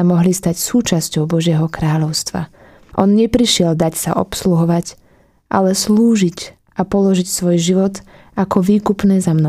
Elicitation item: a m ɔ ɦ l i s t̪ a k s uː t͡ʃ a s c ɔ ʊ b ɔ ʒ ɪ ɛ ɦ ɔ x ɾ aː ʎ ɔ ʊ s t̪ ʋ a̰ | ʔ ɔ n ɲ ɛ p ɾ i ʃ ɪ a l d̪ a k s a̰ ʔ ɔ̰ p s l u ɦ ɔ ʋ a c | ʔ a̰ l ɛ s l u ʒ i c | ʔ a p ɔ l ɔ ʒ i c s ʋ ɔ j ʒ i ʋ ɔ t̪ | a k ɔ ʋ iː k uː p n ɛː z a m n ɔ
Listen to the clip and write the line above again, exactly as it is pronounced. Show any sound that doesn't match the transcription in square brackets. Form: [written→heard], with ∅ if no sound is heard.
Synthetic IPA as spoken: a m ɔ ɦ l i s t̪ a [k→c] s uː t͡ʃ a s c ɔ ʊ b ɔ ʒ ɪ ɛ ɦ ɔ [x→k] ɾ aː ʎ ɔ ʊ s t̪ ʋ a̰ | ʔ ɔ n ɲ ɛ p ɾ i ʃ ɪ [a→ɛ] l d̪ a [k→c] s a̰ ʔ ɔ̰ p s l u ɦ ɔ ʋ a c | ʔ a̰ l ɛ s l [u→uː] ʒ i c | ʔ a p ɔ l ɔ ʒ i c s ʋ ɔ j ʒ i ʋ ɔ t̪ | a k ɔ ʋ iː k [uː→u] p n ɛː z a m n ɔ